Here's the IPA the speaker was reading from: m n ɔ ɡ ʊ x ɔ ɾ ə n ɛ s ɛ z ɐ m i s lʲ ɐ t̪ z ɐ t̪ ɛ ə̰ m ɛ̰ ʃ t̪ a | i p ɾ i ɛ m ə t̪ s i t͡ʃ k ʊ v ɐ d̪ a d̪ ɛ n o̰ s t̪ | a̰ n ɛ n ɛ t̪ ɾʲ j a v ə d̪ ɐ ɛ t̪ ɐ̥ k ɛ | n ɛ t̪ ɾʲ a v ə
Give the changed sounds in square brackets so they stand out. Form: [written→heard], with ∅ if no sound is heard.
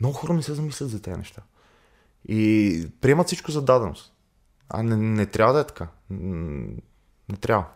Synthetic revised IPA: m n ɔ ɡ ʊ x ɔ ɾ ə n ɛ s ɛ z ɐ m i s lʲ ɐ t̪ z ɐ t̪ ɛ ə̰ [m→n] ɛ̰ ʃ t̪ a | i p ɾ i ɛ m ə t̪ s i t͡ʃ k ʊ [v→z] ɐ d̪ a d̪ ɛ n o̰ s t̪ | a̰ n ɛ n ɛ t̪ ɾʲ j a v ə d̪ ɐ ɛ t̪ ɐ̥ k [ɛ→a] | n ɛ t̪ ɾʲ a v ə